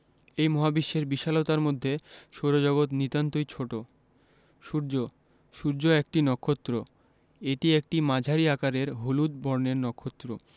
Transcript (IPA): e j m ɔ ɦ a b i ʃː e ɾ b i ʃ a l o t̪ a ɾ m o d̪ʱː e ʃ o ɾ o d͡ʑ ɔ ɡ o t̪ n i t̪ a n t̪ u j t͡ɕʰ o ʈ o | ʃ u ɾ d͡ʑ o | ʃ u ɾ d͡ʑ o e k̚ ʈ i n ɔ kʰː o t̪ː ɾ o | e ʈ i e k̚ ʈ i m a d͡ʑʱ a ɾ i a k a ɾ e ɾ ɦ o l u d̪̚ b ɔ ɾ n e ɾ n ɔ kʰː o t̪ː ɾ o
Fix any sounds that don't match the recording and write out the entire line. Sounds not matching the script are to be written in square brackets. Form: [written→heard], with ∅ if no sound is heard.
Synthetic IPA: e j m ɔ ɦ a b i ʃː e ɾ b i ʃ a l o t̪ a ɾ m o d̪ʱː e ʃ o ɾ o d͡ʑ ɔ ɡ o t̪ n i t̪ a n t̪ [u→o] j t͡ɕʰ o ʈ o | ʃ u ɾ d͡ʑ o | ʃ u ɾ d͡ʑ o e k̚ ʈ i n ɔ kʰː o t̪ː ɾ o | e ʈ i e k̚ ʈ i m a d͡ʑʱ a ɾ i a k a ɾ e ɾ ɦ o l u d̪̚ b ɔ ɾ n e ɾ n ɔ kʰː o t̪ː ɾ o